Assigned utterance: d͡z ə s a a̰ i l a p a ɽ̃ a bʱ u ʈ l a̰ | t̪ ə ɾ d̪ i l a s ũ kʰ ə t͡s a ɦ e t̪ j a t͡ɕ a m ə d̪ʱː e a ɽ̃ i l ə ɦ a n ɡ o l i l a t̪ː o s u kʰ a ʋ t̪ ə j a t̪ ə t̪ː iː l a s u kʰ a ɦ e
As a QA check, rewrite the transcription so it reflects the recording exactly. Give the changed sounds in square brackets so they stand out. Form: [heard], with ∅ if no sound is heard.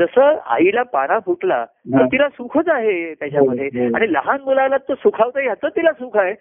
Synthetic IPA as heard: d͡z ə s [ə] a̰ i l a p a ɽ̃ a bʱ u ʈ l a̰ | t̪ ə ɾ [t̪] i l a s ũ kʰ ə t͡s a ɦ e t̪ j a t͡ɕ a m ə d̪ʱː e a ɽ̃ i l ə ɦ a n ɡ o l [a] l a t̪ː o s u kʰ a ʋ t̪ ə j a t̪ ə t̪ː [i] l a s u kʰ a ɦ e